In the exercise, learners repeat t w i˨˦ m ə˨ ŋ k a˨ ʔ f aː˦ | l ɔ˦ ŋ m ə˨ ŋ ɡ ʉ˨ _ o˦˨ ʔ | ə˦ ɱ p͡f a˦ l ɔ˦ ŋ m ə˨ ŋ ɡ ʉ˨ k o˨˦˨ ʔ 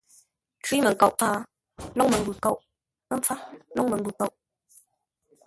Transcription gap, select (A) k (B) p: A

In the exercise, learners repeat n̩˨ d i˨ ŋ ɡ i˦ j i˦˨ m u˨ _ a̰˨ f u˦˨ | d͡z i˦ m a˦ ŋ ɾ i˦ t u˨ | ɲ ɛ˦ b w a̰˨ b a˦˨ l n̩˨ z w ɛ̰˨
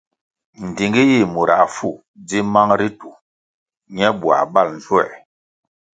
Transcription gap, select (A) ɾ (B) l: A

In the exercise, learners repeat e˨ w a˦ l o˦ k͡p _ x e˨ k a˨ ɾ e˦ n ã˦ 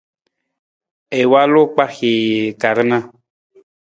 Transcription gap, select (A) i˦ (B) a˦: B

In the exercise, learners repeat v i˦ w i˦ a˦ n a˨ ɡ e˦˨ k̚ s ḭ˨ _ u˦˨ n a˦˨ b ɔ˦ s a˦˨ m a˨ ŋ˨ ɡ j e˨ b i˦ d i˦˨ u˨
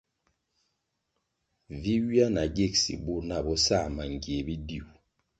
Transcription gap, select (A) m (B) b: B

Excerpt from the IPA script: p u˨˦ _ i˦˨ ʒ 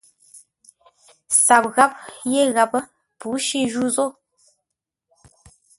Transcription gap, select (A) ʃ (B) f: A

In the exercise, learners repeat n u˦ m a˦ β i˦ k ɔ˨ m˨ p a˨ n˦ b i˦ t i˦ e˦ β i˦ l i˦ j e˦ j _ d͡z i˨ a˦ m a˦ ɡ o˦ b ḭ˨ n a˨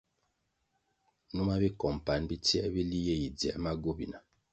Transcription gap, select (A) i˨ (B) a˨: A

